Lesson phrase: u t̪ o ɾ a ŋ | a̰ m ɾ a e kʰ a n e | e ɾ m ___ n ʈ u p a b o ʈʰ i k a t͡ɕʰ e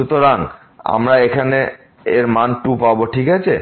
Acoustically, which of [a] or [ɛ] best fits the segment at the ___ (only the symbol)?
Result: a